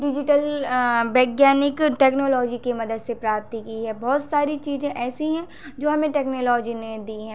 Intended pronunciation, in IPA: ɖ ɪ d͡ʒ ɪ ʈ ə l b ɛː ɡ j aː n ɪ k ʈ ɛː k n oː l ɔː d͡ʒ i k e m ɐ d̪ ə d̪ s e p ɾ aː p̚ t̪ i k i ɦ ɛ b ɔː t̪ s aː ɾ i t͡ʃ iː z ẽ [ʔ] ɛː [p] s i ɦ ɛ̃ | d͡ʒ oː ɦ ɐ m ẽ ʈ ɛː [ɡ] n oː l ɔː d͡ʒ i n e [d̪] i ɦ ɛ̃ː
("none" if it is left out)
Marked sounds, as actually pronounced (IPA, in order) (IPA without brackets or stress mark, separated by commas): ʔ, none, k, d̪